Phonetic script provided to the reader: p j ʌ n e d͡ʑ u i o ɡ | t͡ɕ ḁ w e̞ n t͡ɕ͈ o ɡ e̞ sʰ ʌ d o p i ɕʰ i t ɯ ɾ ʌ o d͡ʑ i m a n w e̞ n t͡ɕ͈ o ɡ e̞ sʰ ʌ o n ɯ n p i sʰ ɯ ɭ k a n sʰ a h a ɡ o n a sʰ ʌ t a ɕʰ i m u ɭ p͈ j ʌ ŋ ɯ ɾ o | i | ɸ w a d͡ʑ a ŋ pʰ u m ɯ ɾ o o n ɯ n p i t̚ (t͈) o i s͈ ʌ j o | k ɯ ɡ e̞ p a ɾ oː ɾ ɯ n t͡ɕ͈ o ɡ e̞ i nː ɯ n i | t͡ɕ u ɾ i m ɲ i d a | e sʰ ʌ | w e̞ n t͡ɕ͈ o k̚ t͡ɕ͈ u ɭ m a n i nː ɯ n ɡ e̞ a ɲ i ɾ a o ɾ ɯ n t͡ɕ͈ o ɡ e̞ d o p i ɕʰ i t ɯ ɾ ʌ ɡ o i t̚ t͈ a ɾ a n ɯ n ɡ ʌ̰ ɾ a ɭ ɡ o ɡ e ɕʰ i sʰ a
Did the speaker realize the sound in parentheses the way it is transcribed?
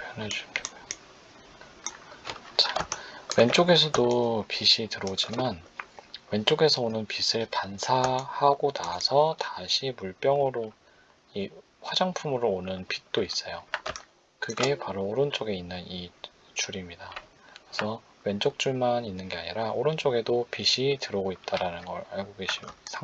yes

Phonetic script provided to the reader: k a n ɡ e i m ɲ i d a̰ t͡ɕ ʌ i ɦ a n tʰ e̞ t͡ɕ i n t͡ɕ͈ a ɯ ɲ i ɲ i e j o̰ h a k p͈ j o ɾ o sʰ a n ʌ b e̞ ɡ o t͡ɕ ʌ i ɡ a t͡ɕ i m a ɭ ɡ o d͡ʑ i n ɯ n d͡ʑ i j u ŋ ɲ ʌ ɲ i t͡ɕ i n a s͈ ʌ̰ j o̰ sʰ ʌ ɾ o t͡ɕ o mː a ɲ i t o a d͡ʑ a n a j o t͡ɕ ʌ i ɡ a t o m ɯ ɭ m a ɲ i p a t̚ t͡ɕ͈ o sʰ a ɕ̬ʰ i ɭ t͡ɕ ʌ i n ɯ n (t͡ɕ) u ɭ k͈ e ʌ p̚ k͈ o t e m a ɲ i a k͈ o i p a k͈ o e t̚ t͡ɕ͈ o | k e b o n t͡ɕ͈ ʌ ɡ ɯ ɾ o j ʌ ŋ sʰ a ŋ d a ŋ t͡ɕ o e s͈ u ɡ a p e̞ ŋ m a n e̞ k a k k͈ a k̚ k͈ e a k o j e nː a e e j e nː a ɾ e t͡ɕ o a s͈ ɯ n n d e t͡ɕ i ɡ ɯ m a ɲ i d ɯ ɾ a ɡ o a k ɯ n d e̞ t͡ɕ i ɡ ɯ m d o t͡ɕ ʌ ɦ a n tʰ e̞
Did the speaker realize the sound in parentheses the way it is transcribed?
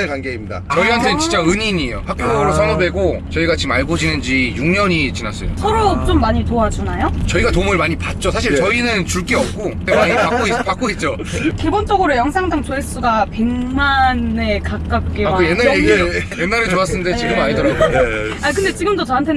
yes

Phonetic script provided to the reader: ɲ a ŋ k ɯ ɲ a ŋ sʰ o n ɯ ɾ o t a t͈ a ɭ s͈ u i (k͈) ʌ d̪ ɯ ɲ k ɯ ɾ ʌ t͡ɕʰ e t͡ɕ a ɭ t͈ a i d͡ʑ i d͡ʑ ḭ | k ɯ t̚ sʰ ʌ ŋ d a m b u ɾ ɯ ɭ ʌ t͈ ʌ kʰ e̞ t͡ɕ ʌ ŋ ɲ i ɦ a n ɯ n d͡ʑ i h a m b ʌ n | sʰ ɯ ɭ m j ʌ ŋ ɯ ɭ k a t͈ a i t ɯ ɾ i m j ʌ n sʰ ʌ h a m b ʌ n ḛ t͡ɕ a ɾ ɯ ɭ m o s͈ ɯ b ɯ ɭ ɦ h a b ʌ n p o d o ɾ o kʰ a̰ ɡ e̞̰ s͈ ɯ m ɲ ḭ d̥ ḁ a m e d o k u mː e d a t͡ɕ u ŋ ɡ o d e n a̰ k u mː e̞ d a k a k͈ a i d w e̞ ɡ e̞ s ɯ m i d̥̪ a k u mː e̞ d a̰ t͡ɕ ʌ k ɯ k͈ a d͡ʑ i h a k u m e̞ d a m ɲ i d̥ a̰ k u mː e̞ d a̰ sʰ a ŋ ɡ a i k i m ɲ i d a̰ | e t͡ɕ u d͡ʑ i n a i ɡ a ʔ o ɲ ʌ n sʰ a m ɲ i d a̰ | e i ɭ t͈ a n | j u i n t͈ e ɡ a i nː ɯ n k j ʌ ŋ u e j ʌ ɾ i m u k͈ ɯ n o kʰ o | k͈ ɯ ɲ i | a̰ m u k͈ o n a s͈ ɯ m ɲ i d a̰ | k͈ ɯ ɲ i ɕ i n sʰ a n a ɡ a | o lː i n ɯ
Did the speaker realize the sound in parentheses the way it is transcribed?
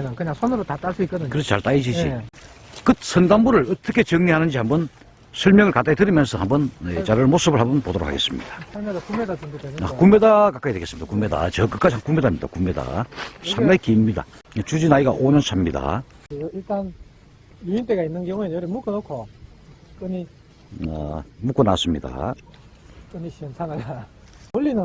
yes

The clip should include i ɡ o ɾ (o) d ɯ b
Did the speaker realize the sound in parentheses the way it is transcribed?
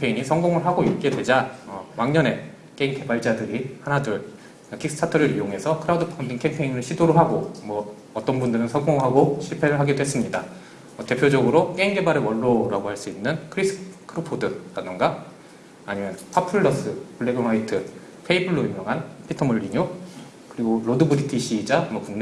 yes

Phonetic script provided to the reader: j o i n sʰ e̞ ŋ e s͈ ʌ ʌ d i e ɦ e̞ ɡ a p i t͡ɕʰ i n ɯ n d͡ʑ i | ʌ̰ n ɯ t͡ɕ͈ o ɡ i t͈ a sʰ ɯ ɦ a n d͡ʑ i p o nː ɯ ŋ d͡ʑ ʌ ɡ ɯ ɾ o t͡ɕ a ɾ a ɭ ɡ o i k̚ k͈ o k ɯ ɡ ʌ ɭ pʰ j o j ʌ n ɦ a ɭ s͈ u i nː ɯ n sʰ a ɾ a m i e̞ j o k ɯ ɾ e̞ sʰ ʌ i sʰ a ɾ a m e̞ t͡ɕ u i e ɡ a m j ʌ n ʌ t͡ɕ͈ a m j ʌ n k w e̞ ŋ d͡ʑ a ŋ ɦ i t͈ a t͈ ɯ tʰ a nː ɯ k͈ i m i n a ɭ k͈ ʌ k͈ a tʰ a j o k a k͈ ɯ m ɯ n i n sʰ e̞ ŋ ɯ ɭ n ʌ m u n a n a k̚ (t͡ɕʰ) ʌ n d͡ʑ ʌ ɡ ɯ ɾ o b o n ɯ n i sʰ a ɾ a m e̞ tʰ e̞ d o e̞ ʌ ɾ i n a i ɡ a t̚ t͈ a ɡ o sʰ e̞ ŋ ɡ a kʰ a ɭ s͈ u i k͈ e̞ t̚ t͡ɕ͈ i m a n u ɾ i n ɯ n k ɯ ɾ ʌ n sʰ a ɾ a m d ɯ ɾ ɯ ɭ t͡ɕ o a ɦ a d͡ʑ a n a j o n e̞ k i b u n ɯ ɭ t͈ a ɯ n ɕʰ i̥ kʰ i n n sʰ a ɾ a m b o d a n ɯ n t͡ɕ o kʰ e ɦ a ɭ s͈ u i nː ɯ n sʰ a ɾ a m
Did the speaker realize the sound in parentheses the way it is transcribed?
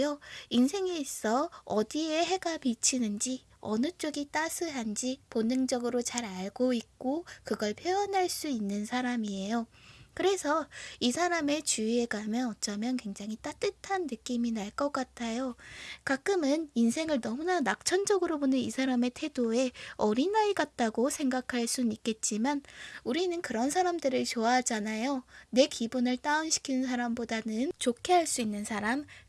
yes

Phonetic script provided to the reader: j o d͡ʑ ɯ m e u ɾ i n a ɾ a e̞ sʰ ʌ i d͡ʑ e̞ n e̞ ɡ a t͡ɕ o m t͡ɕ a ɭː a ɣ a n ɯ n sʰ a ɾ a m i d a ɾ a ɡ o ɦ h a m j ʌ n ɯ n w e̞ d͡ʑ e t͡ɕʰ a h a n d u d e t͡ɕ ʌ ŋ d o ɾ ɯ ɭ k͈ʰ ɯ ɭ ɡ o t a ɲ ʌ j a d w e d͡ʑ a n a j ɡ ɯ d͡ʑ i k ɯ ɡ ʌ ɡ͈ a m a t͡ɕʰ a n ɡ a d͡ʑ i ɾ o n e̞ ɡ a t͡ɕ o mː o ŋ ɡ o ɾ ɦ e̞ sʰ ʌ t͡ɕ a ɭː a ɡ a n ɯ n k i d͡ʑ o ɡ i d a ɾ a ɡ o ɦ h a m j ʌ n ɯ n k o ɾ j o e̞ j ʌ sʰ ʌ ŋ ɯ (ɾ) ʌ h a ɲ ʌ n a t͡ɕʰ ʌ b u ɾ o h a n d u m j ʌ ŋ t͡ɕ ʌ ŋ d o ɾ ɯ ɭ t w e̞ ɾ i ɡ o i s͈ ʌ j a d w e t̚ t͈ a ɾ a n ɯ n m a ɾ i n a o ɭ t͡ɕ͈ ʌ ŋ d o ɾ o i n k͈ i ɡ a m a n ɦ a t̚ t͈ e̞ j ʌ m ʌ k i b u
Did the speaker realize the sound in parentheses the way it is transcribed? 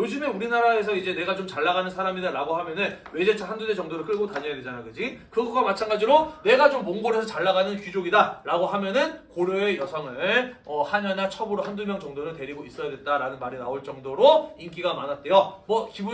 no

